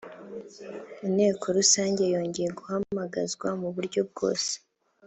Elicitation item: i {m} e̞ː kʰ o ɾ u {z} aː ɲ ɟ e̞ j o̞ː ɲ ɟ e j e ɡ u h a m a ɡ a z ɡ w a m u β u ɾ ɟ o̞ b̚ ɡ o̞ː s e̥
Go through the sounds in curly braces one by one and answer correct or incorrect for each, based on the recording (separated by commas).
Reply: incorrect, incorrect